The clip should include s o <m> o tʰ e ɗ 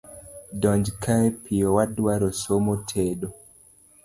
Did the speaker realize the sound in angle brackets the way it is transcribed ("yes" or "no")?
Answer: yes